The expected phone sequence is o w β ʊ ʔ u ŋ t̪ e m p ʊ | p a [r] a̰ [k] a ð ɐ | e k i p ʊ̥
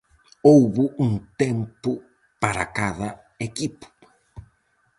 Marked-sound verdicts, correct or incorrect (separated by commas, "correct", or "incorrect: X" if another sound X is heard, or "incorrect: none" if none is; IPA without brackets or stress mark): incorrect: ɾ, correct